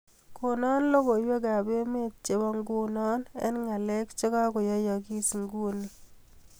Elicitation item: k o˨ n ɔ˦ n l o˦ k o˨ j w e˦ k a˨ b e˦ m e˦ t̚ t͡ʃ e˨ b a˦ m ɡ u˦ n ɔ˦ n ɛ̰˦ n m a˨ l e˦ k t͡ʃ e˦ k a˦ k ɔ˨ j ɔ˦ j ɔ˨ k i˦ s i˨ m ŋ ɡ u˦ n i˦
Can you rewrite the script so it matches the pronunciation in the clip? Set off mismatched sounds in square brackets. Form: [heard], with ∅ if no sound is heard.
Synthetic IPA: k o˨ n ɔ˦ n l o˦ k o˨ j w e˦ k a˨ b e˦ m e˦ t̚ t͡ʃ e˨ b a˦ [ŋ] ɡ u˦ n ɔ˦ n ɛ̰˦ n [ŋ] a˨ l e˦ k t͡ʃ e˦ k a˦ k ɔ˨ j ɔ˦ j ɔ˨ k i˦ s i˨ [∅] ŋ ɡ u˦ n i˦